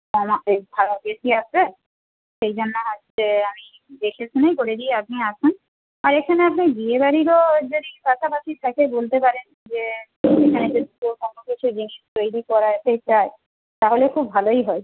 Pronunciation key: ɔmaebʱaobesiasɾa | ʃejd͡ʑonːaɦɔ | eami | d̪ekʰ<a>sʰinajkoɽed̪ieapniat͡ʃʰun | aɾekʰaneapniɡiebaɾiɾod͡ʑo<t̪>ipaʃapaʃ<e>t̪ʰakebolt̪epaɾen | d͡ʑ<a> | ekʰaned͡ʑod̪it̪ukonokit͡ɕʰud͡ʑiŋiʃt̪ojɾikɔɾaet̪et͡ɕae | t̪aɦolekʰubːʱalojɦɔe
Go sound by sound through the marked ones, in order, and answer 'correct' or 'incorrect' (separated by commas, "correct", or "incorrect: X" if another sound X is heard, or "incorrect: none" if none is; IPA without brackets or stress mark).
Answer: incorrect: e, incorrect: d̪, incorrect: i, incorrect: e